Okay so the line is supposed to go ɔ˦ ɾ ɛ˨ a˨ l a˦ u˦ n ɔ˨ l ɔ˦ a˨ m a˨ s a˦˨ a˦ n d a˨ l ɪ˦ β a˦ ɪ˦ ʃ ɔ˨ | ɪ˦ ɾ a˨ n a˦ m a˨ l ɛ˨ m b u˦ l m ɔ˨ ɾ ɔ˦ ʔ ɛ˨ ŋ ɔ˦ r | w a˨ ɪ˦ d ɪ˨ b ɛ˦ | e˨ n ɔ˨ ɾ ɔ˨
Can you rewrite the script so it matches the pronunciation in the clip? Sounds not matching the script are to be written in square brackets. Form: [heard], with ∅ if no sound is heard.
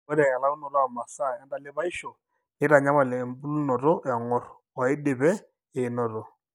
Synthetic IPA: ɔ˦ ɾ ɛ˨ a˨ l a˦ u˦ n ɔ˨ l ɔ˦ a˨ m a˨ s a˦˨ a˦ n d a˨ l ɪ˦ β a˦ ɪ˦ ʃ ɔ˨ | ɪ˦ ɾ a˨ [ɲ] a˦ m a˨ l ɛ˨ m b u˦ l [n] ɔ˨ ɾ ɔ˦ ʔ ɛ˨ ŋ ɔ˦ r | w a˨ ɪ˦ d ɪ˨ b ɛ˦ | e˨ n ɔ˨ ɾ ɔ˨

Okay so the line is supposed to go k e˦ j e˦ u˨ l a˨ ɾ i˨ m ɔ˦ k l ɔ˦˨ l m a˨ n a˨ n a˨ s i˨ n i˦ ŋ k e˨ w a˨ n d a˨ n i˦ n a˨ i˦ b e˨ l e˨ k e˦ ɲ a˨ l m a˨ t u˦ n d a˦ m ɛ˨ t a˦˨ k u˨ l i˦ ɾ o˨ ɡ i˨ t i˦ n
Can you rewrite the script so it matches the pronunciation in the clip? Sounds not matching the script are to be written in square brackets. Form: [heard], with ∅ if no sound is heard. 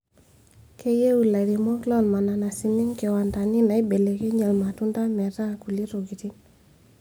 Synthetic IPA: k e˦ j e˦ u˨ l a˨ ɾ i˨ m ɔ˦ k l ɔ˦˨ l m a˨ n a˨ n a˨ s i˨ n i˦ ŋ k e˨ w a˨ n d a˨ n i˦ n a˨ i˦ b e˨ l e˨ k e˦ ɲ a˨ l m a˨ t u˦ n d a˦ m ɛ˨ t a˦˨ k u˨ l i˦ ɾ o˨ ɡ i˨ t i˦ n

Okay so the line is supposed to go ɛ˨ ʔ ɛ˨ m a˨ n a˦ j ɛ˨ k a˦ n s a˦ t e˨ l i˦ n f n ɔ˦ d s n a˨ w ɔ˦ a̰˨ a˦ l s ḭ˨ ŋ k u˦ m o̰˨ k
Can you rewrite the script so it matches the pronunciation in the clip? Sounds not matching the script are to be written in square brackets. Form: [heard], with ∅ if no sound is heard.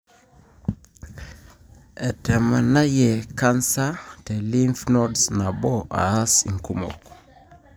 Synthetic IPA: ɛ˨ [t] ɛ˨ m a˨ n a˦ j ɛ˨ k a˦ n s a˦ t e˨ l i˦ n f n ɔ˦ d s n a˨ [b] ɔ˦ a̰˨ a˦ [∅] s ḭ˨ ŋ k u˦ m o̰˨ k

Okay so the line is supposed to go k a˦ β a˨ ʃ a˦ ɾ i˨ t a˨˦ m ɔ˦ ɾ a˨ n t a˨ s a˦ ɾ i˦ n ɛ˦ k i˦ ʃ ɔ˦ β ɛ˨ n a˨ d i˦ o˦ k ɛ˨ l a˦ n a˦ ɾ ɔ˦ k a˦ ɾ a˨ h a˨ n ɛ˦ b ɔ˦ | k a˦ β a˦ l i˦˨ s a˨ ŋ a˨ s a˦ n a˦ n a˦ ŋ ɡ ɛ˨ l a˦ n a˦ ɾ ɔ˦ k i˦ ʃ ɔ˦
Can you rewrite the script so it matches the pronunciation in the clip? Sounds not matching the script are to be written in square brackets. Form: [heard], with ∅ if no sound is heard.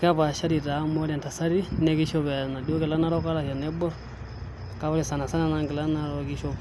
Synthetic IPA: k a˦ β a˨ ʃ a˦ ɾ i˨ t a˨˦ m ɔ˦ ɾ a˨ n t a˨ s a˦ ɾ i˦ n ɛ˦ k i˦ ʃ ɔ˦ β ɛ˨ n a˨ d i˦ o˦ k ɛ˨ l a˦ n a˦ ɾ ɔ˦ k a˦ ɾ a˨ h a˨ n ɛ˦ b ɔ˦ | k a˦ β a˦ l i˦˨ s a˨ [n] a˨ s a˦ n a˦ n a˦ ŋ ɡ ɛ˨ l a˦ n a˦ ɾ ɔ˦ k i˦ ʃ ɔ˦

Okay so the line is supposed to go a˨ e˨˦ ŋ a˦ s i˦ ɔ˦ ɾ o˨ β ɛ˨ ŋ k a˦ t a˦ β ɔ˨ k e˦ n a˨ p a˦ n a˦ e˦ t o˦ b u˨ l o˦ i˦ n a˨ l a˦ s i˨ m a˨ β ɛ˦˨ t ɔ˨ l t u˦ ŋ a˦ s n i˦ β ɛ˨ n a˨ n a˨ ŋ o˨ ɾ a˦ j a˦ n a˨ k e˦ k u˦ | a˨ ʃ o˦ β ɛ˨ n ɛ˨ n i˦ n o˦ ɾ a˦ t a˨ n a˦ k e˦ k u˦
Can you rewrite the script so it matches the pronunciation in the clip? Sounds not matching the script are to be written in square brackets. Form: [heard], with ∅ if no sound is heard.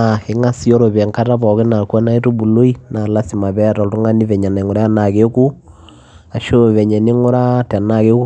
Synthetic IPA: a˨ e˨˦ ŋ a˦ s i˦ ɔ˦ ɾ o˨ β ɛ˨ ŋ k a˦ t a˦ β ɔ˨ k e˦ n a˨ [k] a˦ n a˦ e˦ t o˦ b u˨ l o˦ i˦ n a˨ l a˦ s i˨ m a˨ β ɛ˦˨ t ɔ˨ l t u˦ ŋ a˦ [∅] n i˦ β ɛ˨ [ɲ] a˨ n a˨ ŋ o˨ ɾ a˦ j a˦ n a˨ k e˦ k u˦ | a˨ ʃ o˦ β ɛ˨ [ɲ] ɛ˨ n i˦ [ŋ] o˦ ɾ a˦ t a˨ n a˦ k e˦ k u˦

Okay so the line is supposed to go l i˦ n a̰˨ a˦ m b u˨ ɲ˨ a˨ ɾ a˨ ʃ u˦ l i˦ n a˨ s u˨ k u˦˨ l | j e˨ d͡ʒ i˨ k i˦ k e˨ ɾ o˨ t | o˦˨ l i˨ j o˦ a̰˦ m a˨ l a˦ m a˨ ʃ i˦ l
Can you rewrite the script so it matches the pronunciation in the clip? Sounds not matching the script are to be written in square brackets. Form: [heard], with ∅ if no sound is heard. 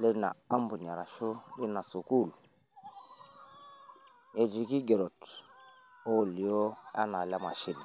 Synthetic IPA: l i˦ n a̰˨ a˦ m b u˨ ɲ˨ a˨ ɾ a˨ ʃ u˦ l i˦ n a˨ s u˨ k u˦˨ l | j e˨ d͡ʒ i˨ k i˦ [ɡ] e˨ ɾ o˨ t | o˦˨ l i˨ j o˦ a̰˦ [n] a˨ l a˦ m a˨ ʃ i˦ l

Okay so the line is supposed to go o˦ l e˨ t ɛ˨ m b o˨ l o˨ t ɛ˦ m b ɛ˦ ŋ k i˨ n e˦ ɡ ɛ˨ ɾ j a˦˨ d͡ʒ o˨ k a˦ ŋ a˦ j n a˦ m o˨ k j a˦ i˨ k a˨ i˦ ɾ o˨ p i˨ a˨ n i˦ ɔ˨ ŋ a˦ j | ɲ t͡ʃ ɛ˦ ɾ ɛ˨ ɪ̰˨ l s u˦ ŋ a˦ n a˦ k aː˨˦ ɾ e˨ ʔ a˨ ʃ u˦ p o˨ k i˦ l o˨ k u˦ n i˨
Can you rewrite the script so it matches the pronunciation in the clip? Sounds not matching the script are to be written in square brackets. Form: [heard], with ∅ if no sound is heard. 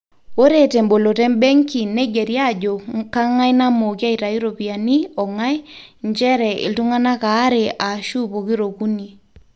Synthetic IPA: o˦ [ɾ] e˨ t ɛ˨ m b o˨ l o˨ t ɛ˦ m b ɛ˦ ŋ k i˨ n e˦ ɡ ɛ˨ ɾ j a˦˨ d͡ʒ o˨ k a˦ ŋ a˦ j n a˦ m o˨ k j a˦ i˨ [t] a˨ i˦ ɾ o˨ p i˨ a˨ n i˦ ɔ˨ ŋ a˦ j | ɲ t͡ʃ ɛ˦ ɾ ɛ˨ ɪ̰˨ l [t] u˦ ŋ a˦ n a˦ k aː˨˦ ɾ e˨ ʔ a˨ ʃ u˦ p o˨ k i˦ [ɾ] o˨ k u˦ n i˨

